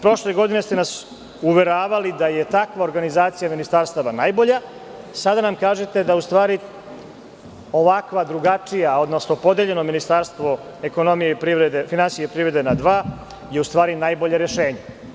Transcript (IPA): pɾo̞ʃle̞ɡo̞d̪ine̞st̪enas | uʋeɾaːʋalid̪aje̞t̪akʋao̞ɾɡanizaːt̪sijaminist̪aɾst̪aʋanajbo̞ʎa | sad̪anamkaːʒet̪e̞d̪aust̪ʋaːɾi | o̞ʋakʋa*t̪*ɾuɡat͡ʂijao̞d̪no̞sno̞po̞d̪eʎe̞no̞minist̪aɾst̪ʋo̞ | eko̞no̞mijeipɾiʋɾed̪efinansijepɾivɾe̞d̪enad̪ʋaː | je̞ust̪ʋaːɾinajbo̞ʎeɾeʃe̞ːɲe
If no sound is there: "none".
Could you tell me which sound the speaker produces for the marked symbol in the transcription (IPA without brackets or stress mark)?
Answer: d̪